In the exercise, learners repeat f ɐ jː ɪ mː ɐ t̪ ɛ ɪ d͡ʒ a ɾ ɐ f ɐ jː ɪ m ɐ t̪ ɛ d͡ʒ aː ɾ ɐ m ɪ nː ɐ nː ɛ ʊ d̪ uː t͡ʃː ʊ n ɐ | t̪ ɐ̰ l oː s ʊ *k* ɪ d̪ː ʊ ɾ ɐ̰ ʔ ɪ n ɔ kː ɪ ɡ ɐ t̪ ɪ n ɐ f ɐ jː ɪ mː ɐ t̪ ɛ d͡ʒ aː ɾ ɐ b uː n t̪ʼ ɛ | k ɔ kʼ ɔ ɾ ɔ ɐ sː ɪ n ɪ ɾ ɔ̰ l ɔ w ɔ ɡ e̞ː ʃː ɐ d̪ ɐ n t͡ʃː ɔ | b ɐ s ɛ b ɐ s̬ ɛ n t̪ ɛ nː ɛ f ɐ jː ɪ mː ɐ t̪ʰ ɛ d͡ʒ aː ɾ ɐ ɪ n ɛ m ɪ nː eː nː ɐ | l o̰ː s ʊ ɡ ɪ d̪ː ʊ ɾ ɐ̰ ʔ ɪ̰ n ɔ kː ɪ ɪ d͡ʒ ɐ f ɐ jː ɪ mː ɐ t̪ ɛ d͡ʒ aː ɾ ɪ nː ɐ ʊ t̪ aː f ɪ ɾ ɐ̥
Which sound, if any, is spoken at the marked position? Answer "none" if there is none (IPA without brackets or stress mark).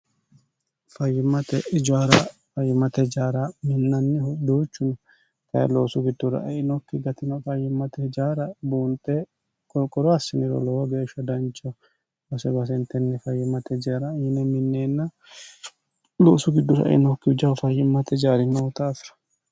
ɡ